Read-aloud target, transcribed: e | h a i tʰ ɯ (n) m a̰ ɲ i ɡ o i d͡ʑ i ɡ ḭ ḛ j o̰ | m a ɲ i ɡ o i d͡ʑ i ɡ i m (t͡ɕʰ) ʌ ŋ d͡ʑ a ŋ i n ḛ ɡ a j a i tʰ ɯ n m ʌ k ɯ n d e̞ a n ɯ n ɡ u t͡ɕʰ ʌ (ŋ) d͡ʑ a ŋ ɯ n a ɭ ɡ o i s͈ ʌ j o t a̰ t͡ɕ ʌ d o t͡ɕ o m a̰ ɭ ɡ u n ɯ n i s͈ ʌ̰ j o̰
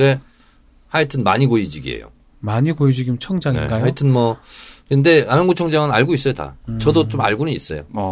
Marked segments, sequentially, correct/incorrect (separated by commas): correct, correct, correct